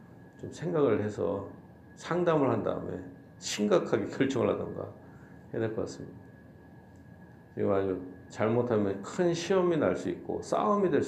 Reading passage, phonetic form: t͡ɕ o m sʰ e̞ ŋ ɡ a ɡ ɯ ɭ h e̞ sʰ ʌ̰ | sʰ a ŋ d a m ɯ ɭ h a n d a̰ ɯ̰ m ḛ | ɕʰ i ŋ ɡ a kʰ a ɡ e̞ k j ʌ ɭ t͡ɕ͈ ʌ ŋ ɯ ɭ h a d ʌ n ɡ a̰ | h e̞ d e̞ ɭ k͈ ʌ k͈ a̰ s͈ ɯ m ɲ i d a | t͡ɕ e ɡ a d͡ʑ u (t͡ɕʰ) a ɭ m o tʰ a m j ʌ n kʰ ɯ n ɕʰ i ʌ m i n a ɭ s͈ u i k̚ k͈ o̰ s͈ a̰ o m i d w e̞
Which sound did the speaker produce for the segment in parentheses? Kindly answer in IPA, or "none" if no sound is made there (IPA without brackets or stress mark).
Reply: t͡ɕ